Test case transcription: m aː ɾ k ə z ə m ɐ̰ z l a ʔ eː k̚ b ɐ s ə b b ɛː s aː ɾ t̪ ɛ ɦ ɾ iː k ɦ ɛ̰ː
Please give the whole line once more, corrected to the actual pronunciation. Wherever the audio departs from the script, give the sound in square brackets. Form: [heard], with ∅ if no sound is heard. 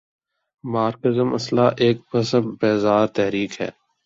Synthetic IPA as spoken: m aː ɾ k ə z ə m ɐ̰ [s] l a ʔ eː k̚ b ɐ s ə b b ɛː [z] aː ɾ t̪ ɛ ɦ ɾ iː k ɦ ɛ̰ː